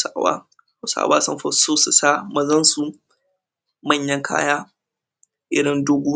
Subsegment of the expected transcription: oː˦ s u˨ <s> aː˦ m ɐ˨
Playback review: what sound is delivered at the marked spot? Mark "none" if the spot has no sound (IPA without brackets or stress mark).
s